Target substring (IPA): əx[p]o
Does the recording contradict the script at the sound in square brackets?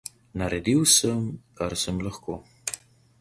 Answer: yes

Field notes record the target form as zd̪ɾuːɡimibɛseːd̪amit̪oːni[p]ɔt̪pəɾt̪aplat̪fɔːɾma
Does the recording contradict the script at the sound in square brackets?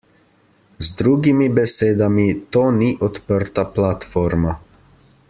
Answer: yes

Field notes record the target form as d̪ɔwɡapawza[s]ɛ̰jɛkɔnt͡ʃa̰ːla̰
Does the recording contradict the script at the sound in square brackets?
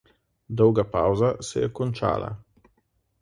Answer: no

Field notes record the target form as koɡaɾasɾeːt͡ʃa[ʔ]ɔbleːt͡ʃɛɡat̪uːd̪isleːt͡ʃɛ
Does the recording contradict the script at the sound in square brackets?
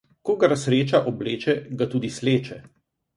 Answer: no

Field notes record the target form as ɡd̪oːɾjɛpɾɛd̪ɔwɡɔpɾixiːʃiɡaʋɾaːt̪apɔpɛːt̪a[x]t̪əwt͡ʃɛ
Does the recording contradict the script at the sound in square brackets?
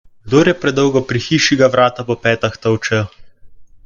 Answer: no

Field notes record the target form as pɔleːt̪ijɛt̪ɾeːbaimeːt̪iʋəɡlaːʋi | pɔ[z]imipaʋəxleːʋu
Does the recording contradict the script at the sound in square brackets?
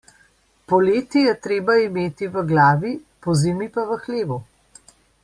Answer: no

